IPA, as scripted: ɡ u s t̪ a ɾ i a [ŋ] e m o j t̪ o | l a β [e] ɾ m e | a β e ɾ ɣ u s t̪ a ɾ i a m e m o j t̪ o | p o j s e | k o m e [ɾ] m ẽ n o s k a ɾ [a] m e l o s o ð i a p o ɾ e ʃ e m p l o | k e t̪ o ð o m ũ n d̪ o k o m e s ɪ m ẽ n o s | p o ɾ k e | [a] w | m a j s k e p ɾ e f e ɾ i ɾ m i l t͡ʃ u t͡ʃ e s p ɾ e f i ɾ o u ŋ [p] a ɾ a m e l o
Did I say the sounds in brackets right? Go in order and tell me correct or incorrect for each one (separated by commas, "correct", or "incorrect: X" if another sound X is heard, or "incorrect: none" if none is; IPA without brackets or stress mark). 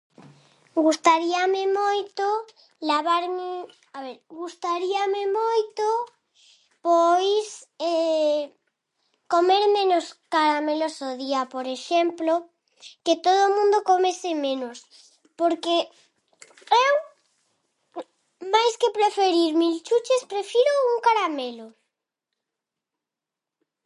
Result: incorrect: m, incorrect: a, correct, correct, incorrect: e, incorrect: k